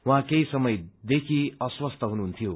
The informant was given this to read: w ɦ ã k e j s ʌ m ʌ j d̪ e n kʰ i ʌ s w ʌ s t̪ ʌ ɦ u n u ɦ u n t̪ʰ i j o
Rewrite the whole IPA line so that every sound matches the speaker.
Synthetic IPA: w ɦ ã k e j s ʌ m ʌ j d̪ e kʰ i ʌ s w ʌ s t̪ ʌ ɦ u n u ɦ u n t̪ʰ i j o